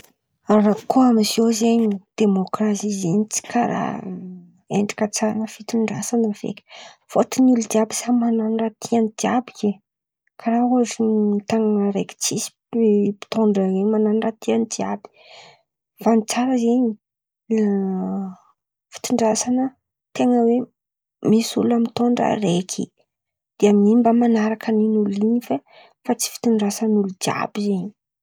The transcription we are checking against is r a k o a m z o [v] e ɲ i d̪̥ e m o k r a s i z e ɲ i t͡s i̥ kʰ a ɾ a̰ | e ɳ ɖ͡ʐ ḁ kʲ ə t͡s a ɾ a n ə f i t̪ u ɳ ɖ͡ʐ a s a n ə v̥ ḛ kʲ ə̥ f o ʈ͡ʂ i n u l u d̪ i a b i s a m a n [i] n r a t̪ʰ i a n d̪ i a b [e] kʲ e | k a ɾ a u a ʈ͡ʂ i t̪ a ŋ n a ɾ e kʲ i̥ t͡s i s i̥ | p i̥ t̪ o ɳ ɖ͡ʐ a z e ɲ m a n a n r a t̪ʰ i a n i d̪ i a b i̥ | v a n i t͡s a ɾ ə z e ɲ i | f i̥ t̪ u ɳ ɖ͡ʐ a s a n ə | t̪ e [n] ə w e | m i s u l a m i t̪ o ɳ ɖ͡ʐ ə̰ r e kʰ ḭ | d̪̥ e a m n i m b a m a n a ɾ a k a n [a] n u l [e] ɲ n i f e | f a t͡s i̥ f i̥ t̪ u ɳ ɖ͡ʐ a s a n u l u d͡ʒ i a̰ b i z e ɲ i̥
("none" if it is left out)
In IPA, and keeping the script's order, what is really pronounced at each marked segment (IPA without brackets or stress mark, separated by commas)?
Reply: z, a, i, ŋ, i, i